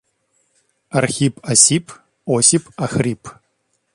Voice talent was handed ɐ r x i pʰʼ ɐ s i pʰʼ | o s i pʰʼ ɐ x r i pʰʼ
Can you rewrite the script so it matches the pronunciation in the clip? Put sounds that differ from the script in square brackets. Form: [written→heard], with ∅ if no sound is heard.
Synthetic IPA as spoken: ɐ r x i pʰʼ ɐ s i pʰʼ | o s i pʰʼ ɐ x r i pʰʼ